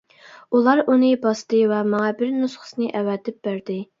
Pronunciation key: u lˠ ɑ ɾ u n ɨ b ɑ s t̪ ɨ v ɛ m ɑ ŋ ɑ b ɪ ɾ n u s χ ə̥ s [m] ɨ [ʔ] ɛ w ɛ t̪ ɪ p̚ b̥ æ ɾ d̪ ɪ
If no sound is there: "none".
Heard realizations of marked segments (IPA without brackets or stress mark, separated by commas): n, ʔ